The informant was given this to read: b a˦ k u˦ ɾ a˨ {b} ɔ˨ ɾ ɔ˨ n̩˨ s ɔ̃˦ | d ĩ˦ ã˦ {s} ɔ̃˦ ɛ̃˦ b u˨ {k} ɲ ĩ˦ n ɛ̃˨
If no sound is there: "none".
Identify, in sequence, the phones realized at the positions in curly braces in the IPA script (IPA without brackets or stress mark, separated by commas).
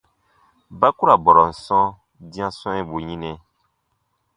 b, s, none